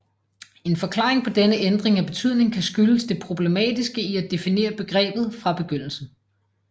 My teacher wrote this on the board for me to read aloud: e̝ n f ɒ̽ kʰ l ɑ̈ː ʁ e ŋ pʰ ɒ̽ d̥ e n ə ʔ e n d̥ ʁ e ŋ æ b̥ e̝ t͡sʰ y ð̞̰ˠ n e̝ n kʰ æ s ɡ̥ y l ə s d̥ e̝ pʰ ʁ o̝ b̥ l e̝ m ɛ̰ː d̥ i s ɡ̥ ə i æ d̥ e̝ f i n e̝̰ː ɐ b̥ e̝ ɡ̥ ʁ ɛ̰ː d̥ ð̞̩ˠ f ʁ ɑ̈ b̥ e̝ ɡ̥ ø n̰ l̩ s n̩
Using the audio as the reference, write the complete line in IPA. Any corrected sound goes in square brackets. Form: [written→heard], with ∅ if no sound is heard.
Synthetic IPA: e̝ n f ɒ̽ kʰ l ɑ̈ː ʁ e ŋ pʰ ɒ̽ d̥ e n ə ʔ e n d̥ ʁ e ŋ æ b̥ e̝ t͡sʰ y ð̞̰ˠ n e̝ [n→ŋ] kʰ æ s ɡ̥ y l ə s d̥ e̝ pʰ ʁ o̝ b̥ l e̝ m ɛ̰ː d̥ i s ɡ̥ ə i æ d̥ e̝ f i n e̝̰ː ɐ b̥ e̝ ɡ̥ ʁ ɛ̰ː [d̥→b̥] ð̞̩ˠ f ʁ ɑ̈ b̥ e̝ ɡ̥ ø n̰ l̩ s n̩